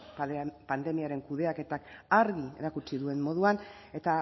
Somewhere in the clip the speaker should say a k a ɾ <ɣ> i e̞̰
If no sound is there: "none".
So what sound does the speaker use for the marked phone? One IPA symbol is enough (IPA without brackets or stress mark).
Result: ɣ